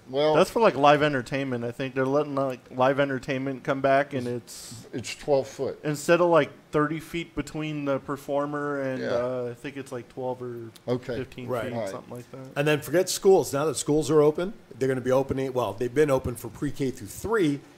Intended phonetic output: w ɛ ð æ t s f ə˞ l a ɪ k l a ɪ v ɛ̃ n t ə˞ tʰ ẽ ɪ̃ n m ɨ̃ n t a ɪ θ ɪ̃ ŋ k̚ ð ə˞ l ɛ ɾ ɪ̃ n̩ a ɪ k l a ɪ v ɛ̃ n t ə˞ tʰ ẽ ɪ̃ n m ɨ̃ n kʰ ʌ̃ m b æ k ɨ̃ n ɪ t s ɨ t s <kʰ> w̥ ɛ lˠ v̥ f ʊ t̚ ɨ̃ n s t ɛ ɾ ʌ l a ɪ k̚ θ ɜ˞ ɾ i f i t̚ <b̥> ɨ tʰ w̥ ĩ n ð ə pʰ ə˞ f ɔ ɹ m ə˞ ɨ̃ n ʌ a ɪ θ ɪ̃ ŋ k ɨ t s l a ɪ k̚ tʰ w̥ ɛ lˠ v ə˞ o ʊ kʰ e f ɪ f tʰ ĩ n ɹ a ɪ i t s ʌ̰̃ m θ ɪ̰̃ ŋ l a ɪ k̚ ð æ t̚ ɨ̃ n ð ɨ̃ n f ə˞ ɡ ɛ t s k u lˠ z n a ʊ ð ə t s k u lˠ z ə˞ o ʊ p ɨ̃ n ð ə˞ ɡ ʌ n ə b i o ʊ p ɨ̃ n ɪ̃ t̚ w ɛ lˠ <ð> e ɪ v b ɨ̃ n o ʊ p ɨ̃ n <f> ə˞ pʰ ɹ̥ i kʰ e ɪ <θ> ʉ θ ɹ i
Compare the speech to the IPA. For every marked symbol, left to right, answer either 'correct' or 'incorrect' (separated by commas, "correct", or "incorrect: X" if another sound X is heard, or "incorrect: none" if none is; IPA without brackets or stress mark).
incorrect: tʰ, correct, correct, correct, correct